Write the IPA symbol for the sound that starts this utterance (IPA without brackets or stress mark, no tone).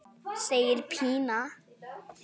s